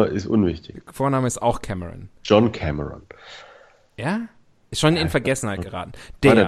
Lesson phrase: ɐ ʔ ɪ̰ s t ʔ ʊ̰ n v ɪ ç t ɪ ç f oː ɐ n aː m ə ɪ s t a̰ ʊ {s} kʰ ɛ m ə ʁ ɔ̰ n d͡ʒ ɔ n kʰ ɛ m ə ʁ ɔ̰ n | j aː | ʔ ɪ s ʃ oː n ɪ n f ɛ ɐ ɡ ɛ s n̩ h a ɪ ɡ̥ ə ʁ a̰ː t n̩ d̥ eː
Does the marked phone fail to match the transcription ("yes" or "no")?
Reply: yes